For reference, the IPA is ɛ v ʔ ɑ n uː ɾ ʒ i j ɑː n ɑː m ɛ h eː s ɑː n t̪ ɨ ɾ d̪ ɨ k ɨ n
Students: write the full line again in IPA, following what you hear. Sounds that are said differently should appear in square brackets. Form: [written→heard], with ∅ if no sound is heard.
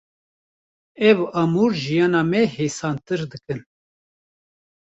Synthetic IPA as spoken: ɛ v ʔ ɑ [n→m] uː ɾ ʒ i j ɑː n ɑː m ɛ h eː s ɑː n t̪ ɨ ɾ d̪ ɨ k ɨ n